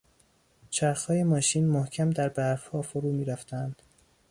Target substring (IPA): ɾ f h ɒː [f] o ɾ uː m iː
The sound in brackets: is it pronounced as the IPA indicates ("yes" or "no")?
yes